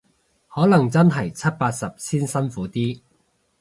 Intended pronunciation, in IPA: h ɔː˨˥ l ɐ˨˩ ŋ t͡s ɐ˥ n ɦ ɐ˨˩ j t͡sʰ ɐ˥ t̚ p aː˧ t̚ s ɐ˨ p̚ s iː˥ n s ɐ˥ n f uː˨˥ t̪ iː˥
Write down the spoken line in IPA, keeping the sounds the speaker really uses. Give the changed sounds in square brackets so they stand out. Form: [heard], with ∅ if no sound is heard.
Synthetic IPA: h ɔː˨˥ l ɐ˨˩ ŋ t͡s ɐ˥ n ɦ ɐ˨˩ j t͡sʰ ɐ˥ t̚ p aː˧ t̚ s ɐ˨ p̚ s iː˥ n s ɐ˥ n f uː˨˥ t̪ iː˥